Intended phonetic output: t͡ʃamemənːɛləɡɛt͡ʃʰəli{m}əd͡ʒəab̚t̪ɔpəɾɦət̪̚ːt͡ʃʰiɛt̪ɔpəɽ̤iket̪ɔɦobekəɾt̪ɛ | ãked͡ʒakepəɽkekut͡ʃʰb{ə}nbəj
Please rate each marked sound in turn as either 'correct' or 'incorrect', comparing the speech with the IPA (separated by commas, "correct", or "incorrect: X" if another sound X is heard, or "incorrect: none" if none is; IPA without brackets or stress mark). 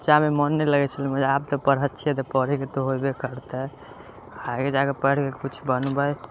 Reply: correct, correct